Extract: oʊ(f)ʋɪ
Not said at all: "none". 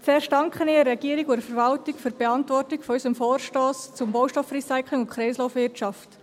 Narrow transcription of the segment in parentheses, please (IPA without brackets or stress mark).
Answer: f